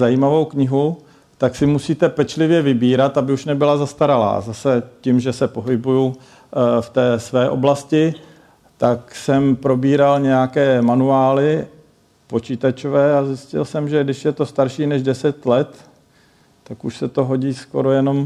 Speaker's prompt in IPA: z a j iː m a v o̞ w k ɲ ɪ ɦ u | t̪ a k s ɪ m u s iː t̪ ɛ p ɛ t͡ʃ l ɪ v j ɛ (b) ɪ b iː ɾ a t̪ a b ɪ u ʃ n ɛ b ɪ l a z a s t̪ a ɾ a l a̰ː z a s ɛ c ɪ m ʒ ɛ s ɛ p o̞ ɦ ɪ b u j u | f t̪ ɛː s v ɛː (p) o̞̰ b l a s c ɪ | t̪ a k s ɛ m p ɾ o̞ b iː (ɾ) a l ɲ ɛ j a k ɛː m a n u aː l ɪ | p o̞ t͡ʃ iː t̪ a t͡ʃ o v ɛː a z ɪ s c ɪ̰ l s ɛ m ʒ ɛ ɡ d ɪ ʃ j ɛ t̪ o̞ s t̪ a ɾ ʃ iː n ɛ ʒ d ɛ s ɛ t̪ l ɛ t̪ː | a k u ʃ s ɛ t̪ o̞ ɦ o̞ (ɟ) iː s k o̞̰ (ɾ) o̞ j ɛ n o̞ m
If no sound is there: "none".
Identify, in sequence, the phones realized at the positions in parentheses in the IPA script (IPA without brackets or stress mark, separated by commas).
v, ʔ, ɾ, ɟ, ɾ